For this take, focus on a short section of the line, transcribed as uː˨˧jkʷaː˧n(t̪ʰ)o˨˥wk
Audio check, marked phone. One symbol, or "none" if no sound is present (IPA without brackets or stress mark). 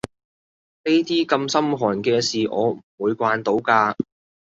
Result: t̪